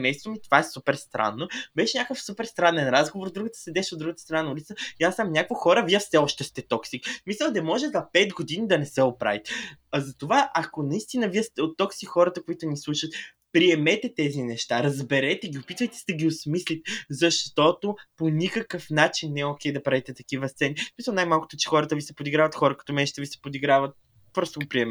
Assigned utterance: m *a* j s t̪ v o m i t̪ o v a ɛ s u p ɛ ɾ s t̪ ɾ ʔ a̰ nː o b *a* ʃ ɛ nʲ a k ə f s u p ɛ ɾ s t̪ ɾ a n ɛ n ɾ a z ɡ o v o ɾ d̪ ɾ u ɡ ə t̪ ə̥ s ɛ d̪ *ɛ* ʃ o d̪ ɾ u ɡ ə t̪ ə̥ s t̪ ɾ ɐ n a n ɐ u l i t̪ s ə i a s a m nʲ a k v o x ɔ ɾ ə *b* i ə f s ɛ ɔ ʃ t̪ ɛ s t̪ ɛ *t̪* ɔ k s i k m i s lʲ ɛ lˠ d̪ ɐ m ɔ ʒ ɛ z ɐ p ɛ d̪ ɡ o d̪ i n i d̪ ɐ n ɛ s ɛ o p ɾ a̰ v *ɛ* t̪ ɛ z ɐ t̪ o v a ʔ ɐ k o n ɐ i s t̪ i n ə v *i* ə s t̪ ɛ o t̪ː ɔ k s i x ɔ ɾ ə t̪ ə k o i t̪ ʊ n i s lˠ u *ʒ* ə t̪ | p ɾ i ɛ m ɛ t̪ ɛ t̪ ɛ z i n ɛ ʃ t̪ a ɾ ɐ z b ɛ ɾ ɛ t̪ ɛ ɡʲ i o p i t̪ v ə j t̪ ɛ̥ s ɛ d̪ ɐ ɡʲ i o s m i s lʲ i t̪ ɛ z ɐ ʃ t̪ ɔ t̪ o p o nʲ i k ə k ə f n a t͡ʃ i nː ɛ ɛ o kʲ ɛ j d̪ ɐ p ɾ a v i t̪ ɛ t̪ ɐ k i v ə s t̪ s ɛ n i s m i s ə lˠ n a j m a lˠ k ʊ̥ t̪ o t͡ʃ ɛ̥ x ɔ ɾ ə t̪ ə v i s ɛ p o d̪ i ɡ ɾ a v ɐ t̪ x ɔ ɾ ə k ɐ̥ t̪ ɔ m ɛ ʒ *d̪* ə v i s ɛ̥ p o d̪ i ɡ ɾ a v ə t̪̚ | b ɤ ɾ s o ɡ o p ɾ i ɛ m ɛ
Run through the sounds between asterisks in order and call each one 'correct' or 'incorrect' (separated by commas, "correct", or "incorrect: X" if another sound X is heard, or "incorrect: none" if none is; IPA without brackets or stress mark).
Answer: incorrect: ɛ, incorrect: ɛ, correct, incorrect: v, correct, incorrect: i, correct, incorrect: ʃ, incorrect: t̪